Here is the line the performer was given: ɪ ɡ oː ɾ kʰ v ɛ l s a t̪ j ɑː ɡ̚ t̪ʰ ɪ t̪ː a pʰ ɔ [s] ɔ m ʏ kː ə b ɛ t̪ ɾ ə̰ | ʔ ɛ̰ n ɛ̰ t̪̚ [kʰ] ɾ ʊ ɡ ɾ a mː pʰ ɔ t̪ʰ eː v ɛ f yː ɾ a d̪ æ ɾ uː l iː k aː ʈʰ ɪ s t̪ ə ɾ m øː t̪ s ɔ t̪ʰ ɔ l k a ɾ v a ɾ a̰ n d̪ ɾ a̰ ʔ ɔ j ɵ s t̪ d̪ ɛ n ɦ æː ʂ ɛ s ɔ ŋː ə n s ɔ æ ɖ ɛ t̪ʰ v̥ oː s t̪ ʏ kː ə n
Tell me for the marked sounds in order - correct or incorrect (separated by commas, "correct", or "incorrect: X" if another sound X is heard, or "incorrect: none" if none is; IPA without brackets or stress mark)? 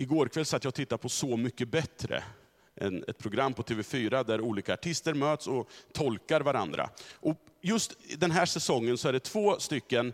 correct, incorrect: pʰ